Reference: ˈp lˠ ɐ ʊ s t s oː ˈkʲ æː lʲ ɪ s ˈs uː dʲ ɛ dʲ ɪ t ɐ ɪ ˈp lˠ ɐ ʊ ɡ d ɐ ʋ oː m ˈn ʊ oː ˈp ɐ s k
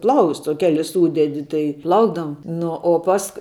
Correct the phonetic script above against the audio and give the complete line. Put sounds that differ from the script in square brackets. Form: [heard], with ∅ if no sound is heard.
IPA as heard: ˈp lˠ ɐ ʊ s t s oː ˈkʲ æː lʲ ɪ s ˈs uː dʲ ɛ dʲ ɪ t ɐ ɪ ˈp lˠ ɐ ʊ ɡ d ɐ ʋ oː m ˈn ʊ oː ˈp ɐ s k